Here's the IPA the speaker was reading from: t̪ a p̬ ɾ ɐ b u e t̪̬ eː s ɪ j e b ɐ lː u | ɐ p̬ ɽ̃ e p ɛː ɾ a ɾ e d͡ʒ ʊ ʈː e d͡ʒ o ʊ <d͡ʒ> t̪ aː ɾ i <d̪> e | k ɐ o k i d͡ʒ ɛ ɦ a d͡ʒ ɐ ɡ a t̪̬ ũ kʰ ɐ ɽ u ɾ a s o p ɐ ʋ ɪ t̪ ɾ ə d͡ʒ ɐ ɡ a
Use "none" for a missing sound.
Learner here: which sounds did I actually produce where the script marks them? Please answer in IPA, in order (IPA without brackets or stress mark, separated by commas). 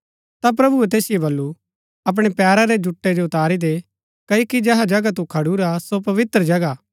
none, d̪